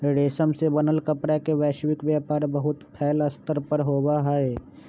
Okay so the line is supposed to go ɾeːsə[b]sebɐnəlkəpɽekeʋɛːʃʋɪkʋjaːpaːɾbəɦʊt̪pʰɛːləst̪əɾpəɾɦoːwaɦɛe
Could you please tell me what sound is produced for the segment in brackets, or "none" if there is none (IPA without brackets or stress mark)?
m